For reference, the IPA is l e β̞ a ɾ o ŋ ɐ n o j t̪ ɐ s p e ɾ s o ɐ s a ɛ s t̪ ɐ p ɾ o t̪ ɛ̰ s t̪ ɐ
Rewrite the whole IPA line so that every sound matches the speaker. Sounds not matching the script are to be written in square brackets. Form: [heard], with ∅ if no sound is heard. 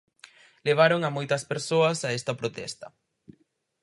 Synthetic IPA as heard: l e β̞ a ɾ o ŋ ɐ [m] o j t̪ ɐ s p e ɾ s o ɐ s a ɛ s t̪ ɐ p ɾ o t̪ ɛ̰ s t̪ ɐ